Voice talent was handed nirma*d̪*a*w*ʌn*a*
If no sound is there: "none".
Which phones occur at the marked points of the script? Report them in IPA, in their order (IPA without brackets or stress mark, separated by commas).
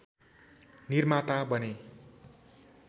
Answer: t̪, b, e